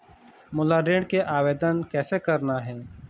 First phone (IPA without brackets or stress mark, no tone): m